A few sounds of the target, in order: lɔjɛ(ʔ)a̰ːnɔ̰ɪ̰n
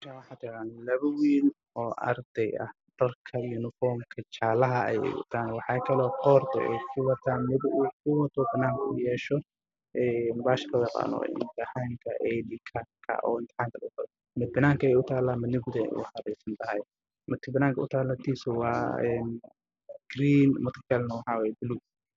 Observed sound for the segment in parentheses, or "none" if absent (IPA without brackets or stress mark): q